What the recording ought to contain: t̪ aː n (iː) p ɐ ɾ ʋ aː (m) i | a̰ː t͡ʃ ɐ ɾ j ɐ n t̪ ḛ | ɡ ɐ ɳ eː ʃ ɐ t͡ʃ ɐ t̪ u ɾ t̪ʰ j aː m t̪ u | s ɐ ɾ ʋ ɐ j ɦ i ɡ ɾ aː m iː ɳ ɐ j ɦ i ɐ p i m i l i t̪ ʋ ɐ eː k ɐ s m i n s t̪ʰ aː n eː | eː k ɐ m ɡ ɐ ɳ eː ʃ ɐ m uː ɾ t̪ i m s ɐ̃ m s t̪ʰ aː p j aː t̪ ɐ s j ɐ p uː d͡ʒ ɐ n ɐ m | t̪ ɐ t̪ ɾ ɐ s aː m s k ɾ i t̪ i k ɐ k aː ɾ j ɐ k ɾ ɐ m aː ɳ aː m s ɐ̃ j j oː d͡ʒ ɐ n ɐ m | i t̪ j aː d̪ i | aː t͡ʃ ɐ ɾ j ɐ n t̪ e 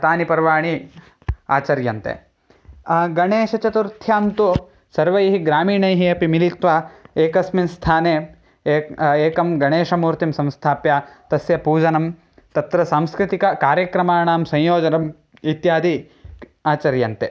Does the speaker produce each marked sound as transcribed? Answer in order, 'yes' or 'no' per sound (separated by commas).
no, no